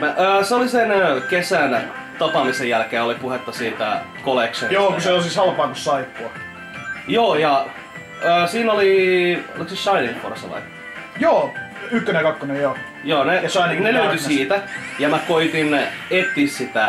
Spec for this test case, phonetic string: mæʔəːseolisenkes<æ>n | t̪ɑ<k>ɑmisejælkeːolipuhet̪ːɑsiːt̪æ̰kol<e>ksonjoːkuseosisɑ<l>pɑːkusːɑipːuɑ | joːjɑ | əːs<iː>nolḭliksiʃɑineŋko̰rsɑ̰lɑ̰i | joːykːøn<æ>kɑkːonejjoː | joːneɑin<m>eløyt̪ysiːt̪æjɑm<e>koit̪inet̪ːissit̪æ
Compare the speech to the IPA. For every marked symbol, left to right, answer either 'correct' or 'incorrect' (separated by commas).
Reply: correct, incorrect, correct, correct, correct, incorrect, incorrect, incorrect